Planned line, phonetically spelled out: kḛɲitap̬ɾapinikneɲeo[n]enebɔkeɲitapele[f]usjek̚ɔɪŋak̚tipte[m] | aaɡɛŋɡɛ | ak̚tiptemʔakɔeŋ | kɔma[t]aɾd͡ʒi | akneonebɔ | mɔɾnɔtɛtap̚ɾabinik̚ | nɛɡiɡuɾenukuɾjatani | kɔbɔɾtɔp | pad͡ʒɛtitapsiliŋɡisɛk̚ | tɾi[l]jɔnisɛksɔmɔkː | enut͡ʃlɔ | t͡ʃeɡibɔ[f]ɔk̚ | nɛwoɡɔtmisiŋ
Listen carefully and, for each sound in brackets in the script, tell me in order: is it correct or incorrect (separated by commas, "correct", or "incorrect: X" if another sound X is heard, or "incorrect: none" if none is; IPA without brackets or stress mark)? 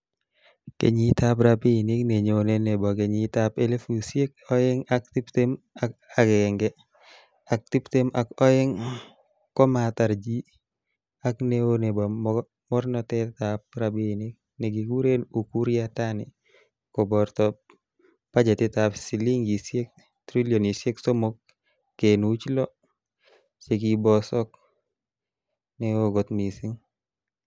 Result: correct, correct, correct, correct, correct, incorrect: s